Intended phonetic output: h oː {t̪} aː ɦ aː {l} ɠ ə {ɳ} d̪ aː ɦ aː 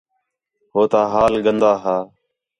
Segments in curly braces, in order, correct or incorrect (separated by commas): correct, correct, incorrect